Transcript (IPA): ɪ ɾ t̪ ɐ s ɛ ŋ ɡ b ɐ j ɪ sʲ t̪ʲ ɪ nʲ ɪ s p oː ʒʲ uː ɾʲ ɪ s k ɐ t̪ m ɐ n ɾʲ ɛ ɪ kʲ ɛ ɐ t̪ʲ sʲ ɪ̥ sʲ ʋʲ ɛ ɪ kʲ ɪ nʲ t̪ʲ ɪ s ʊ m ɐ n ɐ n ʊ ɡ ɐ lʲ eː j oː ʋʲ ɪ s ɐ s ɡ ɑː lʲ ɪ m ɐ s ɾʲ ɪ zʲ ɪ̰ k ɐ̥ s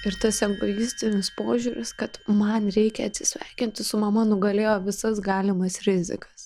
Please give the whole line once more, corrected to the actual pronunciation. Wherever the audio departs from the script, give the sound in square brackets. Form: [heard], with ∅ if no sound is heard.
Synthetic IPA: ɪ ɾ t̪ ɐ s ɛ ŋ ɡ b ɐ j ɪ sʲ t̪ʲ ɪ nʲ ɪ s p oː ʒʲ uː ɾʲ ɪ s k ɐ t̪ m ɐ n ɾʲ ɛ ɪ kʲ ɛ ɐ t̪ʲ sʲ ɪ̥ sʲ ʋʲ ɛ ɪ kʲ ɪ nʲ t̪ʲ ɪ s ʊ m ɐ [m] ɐ n ʊ ɡ ɐ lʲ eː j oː ʋʲ ɪ s ɐ s ɡ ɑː lʲ ɪ m ɐ s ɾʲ ɪ zʲ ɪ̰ k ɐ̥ s